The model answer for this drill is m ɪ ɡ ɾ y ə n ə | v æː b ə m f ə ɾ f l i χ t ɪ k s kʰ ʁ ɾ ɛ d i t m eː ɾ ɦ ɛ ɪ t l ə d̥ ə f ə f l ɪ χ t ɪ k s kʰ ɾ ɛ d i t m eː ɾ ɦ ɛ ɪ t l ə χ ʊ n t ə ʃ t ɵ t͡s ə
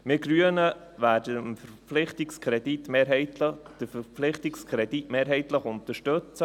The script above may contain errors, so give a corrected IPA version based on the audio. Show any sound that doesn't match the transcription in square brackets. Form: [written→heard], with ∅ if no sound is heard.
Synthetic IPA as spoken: m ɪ ɡ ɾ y ə n ə | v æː [b→d] ə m f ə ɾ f l [i→ɪ] χ t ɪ k s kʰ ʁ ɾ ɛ d i t m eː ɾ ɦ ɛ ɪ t l ə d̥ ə f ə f l ɪ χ t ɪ k s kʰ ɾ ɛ d i t m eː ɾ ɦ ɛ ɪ t l ə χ ʊ n t ə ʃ t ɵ t͡s ə